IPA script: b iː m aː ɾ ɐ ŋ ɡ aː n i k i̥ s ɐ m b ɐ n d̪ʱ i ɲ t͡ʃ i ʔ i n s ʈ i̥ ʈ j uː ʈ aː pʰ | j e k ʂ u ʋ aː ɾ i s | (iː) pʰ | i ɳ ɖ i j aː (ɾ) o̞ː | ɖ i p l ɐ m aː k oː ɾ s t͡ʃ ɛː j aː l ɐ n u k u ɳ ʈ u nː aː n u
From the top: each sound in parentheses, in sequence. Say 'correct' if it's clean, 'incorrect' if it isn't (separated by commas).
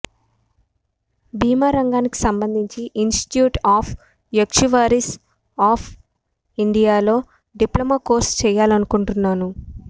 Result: incorrect, incorrect